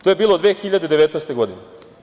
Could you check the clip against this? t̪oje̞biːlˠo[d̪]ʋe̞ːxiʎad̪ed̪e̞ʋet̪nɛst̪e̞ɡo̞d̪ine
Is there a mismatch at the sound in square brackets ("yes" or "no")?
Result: no